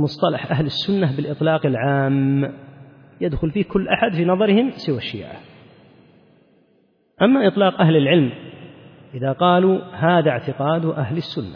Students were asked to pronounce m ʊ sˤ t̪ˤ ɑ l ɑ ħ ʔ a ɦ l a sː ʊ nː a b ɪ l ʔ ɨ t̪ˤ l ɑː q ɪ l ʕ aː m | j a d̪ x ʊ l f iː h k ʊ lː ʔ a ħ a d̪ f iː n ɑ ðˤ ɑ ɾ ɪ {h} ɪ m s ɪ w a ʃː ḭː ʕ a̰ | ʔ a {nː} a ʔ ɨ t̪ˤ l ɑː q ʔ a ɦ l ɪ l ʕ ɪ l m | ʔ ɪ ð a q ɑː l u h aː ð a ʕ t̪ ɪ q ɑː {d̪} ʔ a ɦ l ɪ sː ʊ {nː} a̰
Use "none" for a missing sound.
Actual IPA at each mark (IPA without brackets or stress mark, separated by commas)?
h, mː, d̪, nː